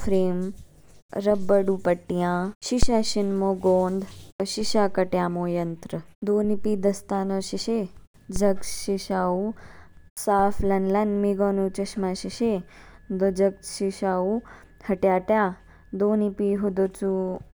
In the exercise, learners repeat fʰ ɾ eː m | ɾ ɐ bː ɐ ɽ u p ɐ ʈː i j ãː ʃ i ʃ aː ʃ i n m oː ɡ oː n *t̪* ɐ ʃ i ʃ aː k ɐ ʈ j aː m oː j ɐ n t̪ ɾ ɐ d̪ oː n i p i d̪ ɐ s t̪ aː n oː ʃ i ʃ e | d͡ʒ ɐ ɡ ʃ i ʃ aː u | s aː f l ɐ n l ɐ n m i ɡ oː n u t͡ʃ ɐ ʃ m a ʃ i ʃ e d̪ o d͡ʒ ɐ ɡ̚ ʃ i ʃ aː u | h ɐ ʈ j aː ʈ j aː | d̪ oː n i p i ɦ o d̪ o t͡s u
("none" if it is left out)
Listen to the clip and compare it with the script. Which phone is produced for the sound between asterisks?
d̪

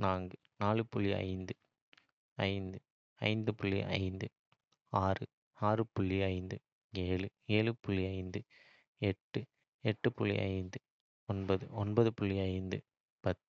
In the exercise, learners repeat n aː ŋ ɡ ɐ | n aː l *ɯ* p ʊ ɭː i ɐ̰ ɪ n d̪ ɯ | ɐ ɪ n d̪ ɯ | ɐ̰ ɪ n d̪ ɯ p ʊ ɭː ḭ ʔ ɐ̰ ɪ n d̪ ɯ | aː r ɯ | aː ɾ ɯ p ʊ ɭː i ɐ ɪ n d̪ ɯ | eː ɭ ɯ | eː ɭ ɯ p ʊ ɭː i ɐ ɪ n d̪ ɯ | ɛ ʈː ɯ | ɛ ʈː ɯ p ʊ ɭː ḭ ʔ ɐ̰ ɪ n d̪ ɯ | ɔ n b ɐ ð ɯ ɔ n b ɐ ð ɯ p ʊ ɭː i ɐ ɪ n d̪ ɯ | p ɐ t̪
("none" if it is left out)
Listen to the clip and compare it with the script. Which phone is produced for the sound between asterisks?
ɯ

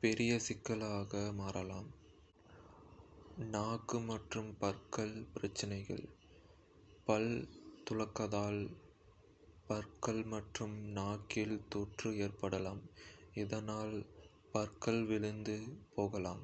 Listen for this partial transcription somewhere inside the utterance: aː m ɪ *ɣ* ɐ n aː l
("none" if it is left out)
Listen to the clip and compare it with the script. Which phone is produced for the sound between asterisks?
ð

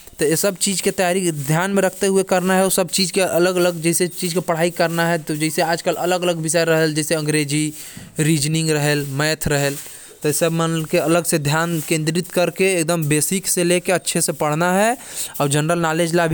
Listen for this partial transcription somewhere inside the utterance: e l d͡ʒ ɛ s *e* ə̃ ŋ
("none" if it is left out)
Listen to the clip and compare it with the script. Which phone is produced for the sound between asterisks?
e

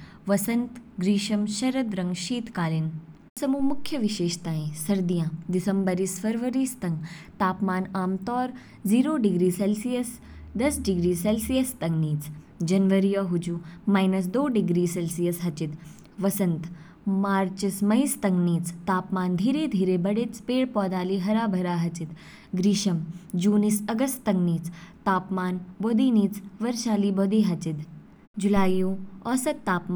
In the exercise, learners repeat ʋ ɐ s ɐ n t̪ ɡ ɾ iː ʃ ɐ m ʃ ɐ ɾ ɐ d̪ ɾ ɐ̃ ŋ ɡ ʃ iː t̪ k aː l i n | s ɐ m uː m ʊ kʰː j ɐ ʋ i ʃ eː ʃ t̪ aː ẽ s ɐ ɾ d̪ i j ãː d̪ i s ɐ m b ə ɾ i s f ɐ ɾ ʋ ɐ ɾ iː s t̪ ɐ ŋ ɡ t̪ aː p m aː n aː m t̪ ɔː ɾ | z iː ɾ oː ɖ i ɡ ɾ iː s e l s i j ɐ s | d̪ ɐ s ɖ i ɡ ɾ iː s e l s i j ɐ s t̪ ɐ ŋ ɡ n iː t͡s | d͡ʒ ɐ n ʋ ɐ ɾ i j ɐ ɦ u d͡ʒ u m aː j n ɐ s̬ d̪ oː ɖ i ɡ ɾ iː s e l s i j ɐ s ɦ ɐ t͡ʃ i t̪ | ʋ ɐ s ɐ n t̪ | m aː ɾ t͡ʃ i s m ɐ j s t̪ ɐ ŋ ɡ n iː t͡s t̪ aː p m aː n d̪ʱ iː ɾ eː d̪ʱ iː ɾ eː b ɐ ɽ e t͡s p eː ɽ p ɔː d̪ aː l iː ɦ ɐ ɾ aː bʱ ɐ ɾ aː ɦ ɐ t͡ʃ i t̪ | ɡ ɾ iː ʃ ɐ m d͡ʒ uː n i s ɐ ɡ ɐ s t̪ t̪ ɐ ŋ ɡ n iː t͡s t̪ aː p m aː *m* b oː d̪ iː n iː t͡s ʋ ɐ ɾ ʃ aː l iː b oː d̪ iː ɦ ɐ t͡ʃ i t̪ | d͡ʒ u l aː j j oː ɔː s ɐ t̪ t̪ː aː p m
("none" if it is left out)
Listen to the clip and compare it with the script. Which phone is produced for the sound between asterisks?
n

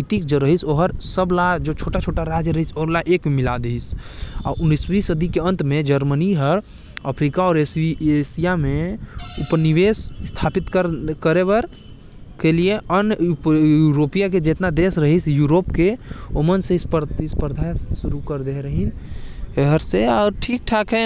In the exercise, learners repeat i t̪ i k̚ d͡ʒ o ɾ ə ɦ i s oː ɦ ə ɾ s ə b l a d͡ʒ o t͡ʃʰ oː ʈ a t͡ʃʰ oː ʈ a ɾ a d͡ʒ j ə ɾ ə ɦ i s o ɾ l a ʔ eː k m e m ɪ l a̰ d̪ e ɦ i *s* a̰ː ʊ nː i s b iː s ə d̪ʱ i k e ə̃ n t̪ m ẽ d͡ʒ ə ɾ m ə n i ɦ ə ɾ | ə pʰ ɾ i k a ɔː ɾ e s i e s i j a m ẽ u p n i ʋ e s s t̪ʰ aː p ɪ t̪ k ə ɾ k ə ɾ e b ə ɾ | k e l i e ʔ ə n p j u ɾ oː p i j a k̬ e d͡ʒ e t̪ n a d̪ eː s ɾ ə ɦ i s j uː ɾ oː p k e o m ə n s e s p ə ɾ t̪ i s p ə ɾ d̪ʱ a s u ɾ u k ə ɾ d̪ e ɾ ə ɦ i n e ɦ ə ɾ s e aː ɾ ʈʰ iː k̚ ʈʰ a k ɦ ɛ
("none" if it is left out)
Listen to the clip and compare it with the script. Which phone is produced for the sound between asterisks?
s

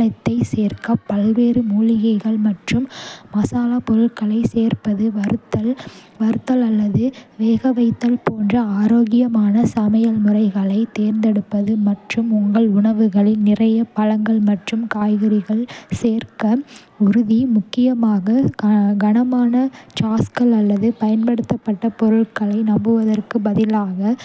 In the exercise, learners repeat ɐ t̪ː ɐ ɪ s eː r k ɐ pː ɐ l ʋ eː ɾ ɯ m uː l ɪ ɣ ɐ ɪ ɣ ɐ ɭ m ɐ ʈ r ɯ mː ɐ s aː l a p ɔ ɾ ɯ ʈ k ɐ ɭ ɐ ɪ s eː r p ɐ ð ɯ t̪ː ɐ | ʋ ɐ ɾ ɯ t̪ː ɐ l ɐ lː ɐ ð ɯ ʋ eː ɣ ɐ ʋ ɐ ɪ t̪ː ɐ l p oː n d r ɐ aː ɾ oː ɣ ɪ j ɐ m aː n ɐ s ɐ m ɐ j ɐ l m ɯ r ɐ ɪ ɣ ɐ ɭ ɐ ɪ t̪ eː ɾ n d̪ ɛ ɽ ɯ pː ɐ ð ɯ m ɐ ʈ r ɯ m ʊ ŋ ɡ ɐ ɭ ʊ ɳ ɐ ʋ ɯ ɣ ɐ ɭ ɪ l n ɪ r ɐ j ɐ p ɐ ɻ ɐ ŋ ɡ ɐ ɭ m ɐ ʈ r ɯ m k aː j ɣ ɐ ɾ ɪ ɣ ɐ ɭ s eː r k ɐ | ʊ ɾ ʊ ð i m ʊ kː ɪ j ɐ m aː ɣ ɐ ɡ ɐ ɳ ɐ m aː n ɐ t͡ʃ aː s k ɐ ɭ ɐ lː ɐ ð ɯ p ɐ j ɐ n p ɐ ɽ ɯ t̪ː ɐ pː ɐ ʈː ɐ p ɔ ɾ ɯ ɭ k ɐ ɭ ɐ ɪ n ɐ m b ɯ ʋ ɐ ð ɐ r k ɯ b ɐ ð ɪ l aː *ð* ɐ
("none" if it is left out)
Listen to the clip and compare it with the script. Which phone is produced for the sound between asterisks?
ɣ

